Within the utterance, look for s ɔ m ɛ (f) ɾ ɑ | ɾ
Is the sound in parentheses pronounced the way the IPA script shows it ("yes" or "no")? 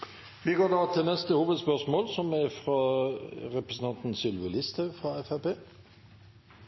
yes